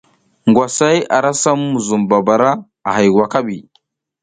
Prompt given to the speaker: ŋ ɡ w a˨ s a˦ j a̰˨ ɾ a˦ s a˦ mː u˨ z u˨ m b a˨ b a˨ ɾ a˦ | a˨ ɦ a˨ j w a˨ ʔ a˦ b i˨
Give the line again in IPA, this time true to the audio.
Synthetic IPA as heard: ŋ ɡ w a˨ s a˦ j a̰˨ ɾ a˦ s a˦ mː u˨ z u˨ m b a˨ b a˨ ɾ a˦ | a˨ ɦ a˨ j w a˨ k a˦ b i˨